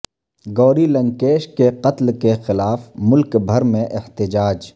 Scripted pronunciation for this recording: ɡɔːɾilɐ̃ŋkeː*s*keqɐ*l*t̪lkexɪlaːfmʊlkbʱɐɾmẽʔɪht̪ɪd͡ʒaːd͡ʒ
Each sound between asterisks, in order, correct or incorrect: incorrect: ʃ, incorrect: none

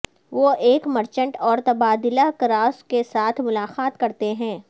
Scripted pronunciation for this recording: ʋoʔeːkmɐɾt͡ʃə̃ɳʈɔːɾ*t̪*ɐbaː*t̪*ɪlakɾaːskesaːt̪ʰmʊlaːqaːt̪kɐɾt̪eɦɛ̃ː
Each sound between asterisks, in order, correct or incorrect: correct, incorrect: d̪

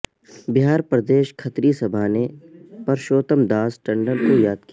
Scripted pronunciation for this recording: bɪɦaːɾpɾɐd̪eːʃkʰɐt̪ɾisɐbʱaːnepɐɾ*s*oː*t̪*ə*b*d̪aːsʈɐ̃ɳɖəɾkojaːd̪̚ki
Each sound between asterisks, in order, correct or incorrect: incorrect: ʃ, correct, incorrect: m

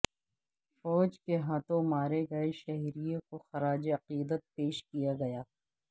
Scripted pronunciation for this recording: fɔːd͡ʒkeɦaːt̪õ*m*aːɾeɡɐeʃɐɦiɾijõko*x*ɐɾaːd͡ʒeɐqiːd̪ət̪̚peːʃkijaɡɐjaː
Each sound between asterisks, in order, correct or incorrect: correct, correct

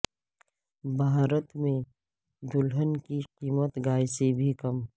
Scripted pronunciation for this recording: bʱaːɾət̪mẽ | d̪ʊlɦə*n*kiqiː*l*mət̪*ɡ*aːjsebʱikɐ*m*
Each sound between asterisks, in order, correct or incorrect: correct, incorrect: none, correct, correct

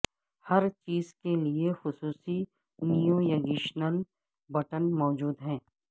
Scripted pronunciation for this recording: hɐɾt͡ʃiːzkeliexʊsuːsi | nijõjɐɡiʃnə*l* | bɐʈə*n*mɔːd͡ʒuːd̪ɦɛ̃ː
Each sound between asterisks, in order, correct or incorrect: correct, correct

